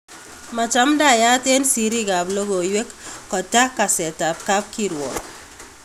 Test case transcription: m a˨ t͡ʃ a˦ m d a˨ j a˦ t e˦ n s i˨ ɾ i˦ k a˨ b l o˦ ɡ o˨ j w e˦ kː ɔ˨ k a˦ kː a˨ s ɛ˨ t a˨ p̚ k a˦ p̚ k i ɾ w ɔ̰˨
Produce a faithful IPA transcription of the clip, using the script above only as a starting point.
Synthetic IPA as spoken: m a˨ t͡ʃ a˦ m d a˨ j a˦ t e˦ n s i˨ ɾ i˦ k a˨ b l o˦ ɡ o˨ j w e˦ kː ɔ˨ t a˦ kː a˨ s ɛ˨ t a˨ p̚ k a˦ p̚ k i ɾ w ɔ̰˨

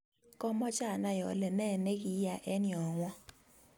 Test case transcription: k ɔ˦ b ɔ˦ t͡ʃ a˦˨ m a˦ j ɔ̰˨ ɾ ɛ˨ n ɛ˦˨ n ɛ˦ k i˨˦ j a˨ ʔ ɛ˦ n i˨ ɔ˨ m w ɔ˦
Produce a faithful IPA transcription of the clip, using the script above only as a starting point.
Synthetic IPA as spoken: k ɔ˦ m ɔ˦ t͡ʃ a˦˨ n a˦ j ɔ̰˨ l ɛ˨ n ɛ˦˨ n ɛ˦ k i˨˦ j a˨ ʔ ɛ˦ n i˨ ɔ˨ ŋ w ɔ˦

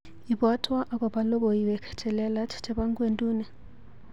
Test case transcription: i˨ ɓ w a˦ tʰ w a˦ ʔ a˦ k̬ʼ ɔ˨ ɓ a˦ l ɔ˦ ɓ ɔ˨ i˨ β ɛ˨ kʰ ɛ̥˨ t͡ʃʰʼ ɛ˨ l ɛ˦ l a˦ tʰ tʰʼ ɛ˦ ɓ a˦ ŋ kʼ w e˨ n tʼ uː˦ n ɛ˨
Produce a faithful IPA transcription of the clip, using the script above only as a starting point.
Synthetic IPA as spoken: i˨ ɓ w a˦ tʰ w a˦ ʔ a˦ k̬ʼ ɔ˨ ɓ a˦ l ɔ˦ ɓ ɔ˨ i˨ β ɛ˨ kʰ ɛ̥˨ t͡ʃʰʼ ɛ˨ l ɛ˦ l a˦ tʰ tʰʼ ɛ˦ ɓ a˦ ŋ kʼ w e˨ n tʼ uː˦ n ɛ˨

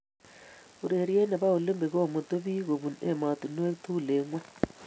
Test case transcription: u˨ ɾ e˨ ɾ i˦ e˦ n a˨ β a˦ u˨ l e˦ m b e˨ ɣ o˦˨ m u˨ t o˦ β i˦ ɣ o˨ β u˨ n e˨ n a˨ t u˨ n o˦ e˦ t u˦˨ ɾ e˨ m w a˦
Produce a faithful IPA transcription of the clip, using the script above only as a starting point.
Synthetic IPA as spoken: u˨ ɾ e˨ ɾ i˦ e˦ n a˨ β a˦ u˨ l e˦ m b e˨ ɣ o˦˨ m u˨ t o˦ β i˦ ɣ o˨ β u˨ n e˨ m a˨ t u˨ n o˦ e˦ t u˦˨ l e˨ ŋ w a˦

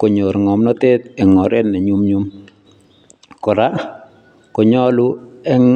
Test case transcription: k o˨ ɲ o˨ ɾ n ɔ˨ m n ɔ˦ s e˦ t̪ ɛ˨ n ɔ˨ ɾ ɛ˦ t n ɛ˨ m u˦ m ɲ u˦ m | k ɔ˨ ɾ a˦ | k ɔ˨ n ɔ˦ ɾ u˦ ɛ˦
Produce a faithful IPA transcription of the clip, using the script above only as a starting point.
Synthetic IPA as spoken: k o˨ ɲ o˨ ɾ ŋ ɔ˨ m n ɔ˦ t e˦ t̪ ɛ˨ ŋ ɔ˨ ɾ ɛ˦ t n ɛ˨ ɲ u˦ m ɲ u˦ m | k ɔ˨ ɾ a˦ | k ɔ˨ ɲ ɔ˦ l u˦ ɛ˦

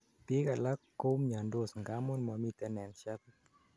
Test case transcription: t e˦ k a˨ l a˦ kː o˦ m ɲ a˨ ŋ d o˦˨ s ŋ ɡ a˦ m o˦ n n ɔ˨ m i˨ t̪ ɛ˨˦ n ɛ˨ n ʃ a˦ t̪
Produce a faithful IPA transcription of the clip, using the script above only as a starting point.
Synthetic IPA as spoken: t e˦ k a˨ l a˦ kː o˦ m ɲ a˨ n d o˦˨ s ŋ ɡ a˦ m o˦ n m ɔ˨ m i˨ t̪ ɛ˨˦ n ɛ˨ n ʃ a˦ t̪

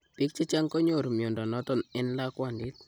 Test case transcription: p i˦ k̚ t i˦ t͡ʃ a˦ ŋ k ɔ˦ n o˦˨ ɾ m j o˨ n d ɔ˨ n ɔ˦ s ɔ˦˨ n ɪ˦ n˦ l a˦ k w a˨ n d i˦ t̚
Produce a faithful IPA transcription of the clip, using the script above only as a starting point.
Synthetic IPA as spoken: p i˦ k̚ t͡ʃ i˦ t͡ʃ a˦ ŋ k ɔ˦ ɲ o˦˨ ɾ m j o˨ n d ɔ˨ n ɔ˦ t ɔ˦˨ n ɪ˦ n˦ l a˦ k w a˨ n d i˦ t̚

